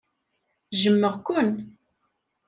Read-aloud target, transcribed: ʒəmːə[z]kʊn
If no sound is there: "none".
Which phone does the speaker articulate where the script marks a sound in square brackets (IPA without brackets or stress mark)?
ʁ